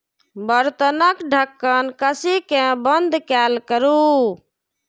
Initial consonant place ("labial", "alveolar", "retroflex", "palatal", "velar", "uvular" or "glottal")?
labial